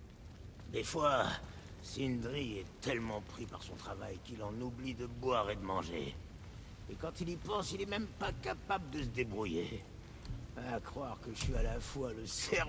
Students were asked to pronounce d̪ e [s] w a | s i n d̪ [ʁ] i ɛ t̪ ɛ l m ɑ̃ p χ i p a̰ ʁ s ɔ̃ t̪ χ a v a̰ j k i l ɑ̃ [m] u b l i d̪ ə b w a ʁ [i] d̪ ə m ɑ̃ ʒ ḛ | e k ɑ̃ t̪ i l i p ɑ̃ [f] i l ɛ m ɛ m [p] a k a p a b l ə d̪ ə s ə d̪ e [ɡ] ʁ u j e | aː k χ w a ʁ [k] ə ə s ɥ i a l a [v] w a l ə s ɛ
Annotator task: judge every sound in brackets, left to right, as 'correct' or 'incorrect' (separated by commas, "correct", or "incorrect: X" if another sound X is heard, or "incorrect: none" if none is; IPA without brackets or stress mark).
incorrect: f, correct, incorrect: n, incorrect: e, incorrect: s, correct, incorrect: b, correct, incorrect: f